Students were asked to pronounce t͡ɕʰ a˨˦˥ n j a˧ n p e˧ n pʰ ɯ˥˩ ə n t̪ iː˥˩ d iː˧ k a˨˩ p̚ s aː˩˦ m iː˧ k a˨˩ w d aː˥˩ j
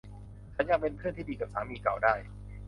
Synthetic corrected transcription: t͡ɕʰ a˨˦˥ n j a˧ ŋ p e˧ n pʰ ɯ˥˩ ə n t̪ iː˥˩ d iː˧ k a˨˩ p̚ s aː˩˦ m iː˧ k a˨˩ w d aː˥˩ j